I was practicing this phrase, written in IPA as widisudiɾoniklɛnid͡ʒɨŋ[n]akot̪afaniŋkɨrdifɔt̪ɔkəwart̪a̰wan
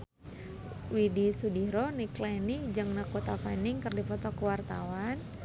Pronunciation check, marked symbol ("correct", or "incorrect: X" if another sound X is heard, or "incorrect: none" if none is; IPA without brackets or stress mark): correct